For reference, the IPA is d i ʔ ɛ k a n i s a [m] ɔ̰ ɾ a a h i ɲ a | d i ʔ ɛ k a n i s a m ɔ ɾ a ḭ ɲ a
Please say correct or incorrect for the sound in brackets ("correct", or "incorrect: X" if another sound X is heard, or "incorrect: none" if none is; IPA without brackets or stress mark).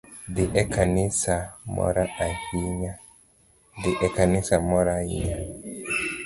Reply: correct